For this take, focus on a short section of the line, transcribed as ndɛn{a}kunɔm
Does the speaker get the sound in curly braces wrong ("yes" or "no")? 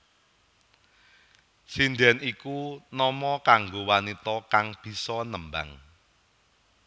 yes